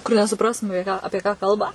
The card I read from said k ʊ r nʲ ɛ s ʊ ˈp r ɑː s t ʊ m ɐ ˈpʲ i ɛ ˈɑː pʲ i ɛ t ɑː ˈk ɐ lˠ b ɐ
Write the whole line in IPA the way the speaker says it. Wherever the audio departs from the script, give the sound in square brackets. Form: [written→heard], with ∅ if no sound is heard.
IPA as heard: k ʊ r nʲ ɛ s ʊ ˈp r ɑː s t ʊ m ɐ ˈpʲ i ɛ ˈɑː pʲ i ɛ [t→k] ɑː ˈk ɐ lˠ b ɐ